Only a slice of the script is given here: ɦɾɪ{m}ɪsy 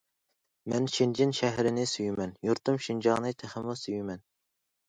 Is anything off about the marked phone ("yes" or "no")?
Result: yes